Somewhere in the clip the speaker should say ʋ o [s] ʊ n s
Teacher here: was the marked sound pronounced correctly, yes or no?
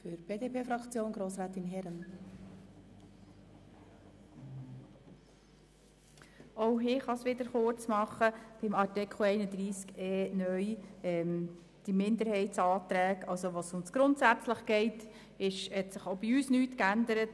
yes